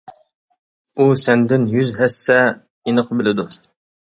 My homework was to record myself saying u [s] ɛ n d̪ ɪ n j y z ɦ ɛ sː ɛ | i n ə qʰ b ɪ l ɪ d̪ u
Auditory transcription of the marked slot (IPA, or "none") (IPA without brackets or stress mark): s